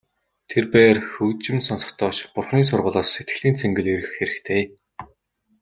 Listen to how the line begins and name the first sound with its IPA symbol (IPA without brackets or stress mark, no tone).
t̪ʰ